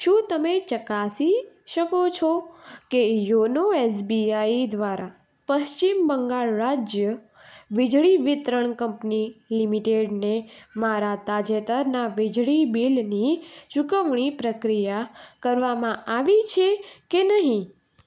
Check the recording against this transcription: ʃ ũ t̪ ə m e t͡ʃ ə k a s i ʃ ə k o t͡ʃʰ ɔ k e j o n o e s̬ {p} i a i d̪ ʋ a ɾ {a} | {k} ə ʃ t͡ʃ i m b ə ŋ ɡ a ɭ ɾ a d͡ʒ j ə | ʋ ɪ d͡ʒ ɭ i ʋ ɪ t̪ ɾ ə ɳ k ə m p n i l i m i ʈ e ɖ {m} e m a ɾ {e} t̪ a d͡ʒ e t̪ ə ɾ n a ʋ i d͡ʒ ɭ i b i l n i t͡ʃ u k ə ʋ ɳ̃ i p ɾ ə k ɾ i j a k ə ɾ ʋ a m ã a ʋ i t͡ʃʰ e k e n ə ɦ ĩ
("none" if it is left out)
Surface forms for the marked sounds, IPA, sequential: b, a, p, n, a

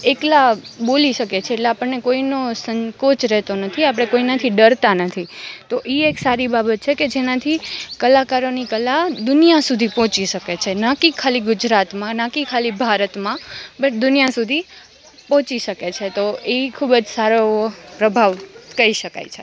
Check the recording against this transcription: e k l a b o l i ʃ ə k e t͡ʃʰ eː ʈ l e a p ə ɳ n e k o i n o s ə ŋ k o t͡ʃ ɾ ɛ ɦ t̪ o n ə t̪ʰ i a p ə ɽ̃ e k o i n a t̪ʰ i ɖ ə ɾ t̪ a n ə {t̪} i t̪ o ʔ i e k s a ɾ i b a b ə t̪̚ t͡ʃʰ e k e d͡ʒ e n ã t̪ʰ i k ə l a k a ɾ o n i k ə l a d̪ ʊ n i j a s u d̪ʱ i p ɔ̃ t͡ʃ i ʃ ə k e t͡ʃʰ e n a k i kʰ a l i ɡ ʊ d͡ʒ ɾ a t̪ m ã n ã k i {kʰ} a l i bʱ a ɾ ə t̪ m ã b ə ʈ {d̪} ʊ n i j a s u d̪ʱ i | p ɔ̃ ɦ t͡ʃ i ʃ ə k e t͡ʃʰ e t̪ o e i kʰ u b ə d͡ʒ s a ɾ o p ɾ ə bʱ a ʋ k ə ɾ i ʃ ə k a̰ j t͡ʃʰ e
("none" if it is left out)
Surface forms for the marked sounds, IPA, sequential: t̪ʰ, kʰ, d̪

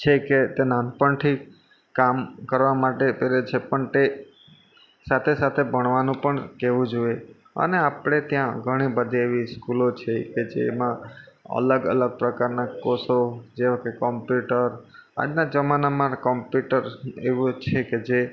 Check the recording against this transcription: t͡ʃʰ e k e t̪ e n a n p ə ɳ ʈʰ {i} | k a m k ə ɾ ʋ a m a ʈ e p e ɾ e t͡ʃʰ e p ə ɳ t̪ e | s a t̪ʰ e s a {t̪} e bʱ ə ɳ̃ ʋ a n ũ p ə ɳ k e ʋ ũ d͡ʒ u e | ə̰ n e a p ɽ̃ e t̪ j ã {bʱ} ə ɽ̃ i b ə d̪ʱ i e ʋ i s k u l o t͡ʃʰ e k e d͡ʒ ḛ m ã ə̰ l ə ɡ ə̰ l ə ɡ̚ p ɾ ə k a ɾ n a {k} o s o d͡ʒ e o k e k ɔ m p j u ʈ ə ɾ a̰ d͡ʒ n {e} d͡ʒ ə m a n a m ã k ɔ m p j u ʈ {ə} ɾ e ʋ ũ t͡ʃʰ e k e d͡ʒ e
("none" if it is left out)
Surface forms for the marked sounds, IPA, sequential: i, t̪ʰ, ɡʱ, k, a, ə

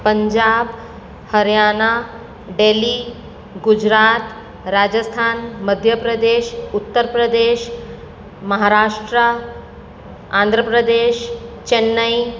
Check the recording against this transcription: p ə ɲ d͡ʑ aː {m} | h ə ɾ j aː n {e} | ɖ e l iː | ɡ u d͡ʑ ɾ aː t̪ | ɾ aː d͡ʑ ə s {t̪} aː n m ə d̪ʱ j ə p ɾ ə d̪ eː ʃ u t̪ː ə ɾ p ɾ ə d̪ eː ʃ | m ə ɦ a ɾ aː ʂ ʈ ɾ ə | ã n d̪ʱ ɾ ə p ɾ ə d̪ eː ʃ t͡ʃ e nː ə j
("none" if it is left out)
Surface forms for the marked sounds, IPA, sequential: b, a, t̪ʰ

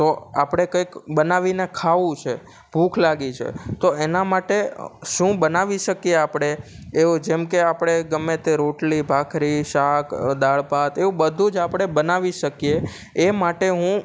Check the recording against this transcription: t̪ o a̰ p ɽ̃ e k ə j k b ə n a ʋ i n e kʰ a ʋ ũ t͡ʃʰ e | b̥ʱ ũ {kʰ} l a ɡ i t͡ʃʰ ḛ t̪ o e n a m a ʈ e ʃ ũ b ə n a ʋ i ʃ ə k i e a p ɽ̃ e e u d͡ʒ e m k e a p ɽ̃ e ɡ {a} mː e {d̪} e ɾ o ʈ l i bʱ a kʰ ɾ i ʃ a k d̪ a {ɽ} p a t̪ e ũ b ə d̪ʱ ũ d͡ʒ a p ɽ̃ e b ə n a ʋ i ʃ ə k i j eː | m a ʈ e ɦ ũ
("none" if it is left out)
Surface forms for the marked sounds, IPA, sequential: kʰ, ə, t̪, ɭ

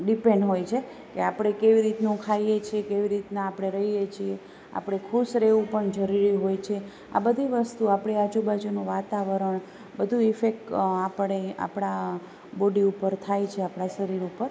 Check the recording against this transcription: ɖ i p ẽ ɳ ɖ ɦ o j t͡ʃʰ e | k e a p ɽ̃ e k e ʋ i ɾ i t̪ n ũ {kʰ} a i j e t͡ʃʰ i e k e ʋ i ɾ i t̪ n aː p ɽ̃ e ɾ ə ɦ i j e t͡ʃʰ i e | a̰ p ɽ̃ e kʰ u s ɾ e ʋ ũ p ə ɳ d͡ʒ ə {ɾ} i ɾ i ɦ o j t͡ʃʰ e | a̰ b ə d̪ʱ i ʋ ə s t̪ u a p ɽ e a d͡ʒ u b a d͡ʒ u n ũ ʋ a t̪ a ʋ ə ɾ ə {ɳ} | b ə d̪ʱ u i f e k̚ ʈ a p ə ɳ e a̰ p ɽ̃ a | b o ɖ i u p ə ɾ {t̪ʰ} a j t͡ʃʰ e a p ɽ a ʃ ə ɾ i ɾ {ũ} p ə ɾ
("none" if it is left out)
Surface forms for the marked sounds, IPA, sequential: kʰ, ɾ, ɳ, t̪ʰ, u

